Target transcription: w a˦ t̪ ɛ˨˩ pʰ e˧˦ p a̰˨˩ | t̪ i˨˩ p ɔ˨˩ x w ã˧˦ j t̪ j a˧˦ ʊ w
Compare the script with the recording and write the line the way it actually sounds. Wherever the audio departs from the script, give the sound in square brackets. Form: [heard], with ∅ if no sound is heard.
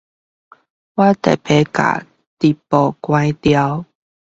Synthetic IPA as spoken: w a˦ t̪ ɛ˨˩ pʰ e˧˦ [k] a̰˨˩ | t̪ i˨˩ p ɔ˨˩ [k] w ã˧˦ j t̪ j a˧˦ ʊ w